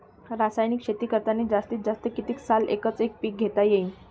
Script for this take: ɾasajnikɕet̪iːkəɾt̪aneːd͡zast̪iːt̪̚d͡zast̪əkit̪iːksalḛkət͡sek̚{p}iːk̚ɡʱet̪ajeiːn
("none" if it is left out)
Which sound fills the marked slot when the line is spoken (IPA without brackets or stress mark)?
p